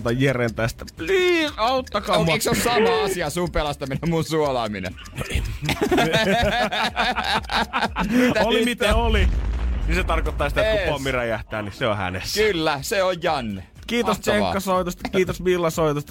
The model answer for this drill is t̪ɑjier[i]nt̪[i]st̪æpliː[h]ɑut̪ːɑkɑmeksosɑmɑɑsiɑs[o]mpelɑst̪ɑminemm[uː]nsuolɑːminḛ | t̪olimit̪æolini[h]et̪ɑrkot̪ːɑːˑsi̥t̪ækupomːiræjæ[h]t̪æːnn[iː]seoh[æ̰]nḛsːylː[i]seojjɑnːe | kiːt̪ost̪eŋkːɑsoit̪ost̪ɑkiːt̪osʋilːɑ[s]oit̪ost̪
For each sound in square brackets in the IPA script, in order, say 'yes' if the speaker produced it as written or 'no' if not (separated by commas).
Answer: no, no, no, no, no, no, yes, no, yes, no, yes